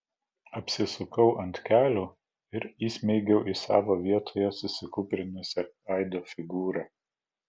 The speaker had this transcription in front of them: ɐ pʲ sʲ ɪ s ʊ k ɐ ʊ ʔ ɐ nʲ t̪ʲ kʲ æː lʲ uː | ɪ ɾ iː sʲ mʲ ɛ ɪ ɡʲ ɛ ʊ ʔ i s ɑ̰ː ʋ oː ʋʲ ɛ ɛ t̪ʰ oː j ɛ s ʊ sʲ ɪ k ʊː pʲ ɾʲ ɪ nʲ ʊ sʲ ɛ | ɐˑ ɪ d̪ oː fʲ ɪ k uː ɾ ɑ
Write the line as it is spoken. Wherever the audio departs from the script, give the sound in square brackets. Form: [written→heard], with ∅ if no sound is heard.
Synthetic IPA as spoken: ɐ pʲ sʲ ɪ s ʊ k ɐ ʊ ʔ ɐ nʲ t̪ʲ kʲ æː lʲ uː | ɪ ɾ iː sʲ mʲ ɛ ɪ ɡʲ ɛ ʊ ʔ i s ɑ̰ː ʋ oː ʋʲ [ɛ→i] ɛ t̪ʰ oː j ɛ s ʊ sʲ ɪ k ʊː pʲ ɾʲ ɪ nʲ ʊ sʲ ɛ | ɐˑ ɪ d̪ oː fʲ ɪ [k→ɡ] uː ɾ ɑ